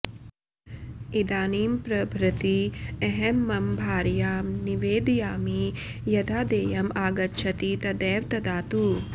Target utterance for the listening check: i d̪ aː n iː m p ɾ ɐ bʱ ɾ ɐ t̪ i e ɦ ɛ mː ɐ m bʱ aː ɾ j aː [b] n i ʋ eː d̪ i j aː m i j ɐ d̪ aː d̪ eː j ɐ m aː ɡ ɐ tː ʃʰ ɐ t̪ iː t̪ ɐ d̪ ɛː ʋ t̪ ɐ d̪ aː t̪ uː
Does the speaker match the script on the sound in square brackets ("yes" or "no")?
no